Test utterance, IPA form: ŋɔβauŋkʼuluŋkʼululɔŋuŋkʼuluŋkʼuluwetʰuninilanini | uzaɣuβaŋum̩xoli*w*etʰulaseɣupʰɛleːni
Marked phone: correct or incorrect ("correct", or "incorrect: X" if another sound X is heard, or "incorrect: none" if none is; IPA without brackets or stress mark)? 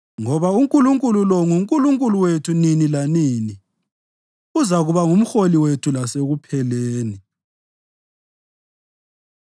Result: correct